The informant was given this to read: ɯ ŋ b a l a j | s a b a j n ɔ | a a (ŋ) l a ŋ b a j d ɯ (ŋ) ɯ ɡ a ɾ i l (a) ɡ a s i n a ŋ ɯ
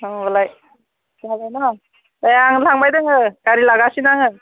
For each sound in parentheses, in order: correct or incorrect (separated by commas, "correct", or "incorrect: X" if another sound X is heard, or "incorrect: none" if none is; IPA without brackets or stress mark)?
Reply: correct, correct, correct